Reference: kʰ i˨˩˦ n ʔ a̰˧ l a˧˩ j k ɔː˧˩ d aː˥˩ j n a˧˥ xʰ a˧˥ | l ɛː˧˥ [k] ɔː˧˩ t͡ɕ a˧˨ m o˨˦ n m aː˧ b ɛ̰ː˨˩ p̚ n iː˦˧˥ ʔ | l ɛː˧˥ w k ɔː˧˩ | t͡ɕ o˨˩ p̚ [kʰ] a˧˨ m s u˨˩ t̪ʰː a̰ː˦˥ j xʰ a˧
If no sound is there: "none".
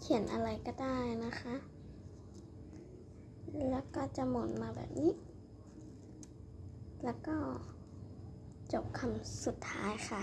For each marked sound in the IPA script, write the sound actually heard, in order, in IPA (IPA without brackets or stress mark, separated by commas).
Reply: k, kʰ